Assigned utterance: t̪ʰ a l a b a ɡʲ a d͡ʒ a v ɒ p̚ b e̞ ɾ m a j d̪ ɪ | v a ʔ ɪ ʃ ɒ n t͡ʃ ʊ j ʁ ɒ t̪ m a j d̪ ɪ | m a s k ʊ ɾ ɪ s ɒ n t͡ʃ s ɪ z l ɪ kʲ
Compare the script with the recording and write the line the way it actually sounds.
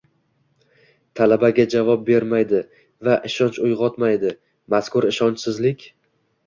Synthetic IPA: t̪ʰ a l a b a ɡʲ a d͡ʒ a v ɒ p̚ b e̞ ɾ m a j d̪ ɪ | v a ʔ ɪ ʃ ɒ n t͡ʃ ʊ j ʁ ɒ t̪ m a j d̪ ɪ | m a s k ʊ ɾ ɪ ʃ ɒ n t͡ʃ s ɪ z l ɪ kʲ

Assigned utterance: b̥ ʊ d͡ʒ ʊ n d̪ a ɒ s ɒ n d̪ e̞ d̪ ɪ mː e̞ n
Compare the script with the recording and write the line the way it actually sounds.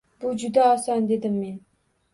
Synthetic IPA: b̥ ʊ d͡ʒ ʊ d̪ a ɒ s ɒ n d̪ e̞ d̪ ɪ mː e̞ n

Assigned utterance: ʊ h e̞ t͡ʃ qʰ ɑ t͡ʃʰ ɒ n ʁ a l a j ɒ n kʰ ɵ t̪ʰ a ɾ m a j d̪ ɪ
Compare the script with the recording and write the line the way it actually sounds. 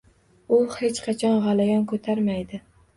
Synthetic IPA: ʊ h e̞ t͡ʃ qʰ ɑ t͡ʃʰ ɒ n ʁ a l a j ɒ n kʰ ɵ t̪ʰ a ɾ m a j d̪ ɪ

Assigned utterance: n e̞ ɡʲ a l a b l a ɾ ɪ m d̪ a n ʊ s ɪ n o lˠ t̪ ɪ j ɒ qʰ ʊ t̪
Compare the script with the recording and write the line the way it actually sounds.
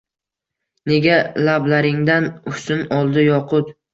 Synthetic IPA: n e̞ ɡʲ a l a b l a ɾ ɪ ŋ d̪ a n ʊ s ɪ n ɒ lˠ d̪ ɪ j ɒ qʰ ʊ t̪

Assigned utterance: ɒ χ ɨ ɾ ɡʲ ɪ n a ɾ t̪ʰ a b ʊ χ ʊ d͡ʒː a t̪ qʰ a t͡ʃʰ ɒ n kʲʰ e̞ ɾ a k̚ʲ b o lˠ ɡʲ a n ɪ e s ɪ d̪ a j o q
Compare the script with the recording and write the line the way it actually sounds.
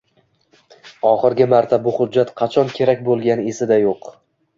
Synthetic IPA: ɒ χ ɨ ɾ ɡʲ ɪ m a ɾ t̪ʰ a b ʊ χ ʊ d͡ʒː a t̪ qʰ ɑ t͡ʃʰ ɒ n kʲʰ e̞ ɾ a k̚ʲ b o lˠ ɡʲ a n ɪ e s ɪ d̪ a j o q

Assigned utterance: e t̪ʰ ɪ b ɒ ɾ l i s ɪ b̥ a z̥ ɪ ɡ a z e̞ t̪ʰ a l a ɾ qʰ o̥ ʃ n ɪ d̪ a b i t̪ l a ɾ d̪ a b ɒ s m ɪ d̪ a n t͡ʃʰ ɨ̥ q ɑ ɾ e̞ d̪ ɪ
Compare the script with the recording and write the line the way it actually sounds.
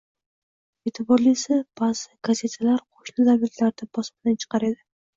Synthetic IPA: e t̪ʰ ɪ b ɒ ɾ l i s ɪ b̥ a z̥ ɪ ɡ a z e̞ t̪ʰ a l a ɾ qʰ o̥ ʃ n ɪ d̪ a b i t̪ l a ɾ d̪ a b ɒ s m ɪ d̪ a n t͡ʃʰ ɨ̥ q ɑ ɾ e̞ d̪ ɪ

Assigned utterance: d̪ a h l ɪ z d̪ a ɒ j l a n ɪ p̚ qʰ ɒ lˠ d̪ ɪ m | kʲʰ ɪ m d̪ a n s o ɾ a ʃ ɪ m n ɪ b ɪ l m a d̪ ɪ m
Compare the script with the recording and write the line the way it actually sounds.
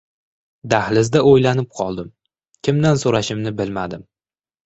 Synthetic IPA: d̪ a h l ɪ z d̪ a o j l a n ɪ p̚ qʰ ɒ lˠ d̪ ɪ m | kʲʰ ɪ m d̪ a n s o ɾ a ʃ ɪ m n ɪ b ɪ l m a d̪ ɪ m

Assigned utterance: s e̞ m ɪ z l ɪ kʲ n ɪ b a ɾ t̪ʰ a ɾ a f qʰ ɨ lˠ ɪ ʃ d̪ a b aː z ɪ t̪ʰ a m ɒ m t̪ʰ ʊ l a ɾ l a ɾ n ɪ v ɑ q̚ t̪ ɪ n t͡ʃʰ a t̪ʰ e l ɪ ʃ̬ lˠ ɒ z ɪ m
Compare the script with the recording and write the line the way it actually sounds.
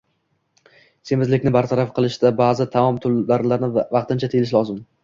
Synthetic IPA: s e̞ m ɪ z l ɪ kʲ n ɪ b a ɾ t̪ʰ a ɾ a f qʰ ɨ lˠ ɪ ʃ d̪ a b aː z ɪ t̪ʰ a m ɒ m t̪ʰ ʊ l a ɾ l a ɾ n ɪ v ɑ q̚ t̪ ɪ n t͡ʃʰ a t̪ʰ e l ɪ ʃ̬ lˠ ɒ z ɪ m

